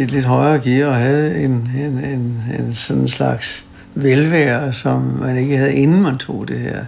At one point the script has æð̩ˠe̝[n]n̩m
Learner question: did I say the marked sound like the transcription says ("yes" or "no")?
yes